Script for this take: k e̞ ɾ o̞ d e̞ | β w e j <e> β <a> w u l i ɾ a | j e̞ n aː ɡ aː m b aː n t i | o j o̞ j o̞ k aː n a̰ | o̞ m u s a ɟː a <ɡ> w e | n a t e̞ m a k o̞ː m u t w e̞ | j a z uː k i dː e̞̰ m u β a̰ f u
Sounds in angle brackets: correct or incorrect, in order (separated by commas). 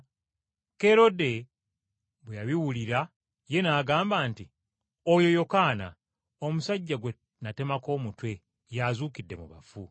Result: incorrect, incorrect, correct